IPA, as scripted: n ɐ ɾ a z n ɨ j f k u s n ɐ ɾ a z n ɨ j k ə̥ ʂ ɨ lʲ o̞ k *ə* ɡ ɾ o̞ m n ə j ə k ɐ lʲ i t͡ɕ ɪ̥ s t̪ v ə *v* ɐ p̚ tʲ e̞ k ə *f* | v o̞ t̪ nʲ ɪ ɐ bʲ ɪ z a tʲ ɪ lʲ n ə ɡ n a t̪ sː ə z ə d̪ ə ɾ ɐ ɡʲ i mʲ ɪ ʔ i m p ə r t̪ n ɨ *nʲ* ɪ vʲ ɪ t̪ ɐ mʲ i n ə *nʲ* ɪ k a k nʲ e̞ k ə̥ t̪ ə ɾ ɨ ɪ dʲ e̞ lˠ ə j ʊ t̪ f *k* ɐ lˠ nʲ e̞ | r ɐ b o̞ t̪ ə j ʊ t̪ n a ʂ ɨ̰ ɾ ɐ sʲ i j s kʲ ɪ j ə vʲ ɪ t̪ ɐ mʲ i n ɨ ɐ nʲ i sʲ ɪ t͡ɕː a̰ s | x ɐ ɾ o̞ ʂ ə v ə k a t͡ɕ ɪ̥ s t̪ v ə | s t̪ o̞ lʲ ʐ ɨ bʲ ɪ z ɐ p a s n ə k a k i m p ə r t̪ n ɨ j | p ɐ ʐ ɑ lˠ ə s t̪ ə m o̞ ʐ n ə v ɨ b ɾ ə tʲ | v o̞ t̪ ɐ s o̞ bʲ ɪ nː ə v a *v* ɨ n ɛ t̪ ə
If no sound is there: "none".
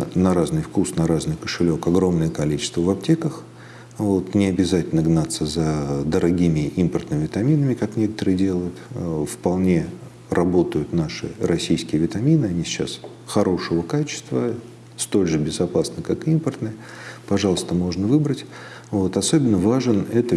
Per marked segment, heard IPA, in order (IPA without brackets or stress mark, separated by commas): ɐ, v, x, mʲ, mʲ, p, ʐ